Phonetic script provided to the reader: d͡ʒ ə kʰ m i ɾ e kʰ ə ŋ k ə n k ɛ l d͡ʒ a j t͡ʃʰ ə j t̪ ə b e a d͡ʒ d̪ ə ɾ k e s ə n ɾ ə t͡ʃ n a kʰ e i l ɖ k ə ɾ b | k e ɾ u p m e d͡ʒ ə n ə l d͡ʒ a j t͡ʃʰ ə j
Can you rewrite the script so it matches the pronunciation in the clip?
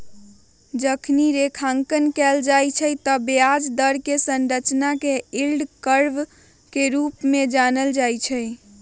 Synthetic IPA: d͡ʒ ə kʰ n i ɾ e kʰ a ŋ k ə n k ɛ l d͡ʒ a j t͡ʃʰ ə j t̪ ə b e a d͡ʒ d̪ ə ɾ k e s ə n ɾ ə t͡ʃ n a k e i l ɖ k ə ɾ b | k e ɾ u p m e d͡ʒ a n ə l d͡ʒ a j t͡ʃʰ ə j

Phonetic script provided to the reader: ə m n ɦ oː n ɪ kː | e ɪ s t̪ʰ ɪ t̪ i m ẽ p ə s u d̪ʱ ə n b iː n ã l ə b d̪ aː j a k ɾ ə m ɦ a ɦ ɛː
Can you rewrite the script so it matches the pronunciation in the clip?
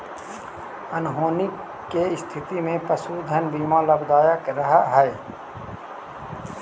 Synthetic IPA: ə n ɦ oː n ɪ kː | e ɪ s t̪ʰ ɪ t̪ i m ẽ p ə s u d̪ʱ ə n b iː m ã l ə b d̪ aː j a k ɾ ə ɦ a ɦ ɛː

